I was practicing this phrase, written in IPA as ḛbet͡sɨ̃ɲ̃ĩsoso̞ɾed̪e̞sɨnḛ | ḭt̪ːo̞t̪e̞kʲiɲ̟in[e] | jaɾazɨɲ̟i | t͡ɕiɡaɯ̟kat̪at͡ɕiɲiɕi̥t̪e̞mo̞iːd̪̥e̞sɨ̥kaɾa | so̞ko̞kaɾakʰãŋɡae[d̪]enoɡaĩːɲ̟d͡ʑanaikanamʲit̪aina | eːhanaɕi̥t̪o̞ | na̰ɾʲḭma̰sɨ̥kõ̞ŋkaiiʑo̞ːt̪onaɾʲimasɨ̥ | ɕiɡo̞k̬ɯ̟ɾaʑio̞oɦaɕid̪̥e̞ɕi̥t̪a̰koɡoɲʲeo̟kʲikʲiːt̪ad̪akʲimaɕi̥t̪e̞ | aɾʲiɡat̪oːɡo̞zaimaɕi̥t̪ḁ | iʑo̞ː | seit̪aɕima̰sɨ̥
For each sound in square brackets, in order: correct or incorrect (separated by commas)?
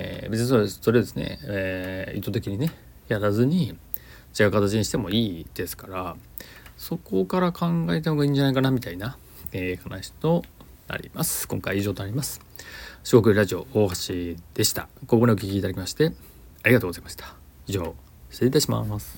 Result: correct, incorrect